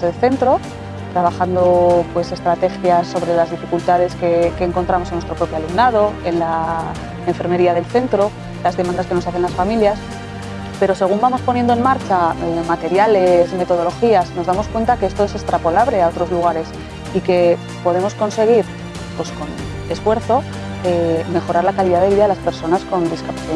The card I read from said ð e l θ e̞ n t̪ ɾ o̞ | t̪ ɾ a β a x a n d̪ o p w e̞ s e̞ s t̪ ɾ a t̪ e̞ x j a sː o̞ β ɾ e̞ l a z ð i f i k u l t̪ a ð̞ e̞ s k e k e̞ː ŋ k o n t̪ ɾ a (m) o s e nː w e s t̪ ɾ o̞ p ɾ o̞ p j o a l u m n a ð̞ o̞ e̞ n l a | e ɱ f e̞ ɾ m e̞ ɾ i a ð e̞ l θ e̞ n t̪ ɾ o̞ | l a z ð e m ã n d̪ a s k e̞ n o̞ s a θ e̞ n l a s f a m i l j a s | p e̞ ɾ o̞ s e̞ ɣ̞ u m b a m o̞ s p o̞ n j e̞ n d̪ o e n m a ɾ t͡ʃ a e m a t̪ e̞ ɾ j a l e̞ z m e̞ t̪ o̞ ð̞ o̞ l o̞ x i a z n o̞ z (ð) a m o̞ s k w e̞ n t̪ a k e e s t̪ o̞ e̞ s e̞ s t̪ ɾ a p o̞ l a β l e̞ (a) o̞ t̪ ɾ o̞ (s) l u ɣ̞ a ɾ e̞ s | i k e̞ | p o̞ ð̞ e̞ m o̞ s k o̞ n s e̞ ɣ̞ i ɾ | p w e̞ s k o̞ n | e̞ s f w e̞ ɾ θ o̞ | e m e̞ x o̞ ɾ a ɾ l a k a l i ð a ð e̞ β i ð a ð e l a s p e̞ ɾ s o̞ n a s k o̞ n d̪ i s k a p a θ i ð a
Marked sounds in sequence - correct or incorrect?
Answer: correct, correct, correct, incorrect

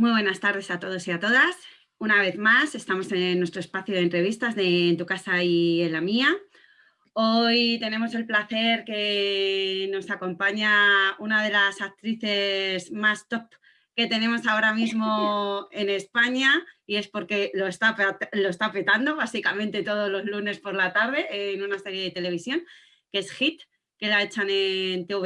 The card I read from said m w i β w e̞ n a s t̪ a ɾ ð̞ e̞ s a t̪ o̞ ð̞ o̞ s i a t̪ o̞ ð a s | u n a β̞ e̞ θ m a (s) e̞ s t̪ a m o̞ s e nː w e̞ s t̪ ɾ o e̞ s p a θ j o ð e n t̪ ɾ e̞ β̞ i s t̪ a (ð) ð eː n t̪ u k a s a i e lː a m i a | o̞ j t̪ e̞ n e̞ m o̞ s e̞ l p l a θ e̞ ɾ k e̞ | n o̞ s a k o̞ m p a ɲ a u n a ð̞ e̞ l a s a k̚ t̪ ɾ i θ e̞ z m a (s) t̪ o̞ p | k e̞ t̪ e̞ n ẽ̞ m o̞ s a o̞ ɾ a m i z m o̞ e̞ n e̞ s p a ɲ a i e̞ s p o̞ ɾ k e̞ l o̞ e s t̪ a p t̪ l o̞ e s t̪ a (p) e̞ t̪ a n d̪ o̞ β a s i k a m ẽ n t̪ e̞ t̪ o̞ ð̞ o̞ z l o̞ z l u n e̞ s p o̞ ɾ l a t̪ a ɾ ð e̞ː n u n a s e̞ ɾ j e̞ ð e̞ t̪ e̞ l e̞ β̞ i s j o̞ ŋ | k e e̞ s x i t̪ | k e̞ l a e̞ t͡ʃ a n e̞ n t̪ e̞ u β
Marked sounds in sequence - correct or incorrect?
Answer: correct, incorrect, correct, correct

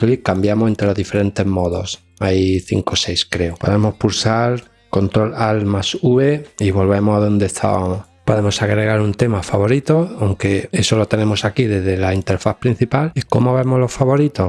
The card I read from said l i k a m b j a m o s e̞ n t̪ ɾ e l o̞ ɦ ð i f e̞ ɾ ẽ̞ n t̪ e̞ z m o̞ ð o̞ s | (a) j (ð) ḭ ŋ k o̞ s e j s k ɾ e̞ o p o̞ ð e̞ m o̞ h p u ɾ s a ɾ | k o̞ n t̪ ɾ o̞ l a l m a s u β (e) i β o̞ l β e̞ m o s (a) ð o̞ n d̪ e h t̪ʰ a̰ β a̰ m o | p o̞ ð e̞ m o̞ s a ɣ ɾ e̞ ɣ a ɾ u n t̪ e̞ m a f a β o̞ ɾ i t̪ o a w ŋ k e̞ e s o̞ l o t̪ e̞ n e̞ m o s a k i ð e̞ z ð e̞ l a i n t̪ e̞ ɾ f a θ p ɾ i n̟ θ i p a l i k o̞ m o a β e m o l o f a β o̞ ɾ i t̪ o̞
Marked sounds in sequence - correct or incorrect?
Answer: correct, incorrect, correct, correct

